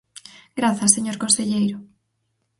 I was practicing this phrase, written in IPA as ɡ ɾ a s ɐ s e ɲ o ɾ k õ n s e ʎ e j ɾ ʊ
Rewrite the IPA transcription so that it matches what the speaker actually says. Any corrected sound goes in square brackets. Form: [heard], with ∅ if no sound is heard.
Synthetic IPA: ɡ ɾ a [θ] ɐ s e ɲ o ɾ k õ n s e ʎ e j ɾ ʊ